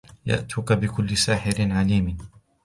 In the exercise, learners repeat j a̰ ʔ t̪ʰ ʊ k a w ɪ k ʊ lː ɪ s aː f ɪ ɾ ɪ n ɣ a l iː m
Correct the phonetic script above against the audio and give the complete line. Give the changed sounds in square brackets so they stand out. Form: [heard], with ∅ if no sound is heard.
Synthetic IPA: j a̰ ʔ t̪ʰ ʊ k a [b] ɪ k ʊ lː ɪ s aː [ħ] ɪ ɾ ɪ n [ʕ] a l iː m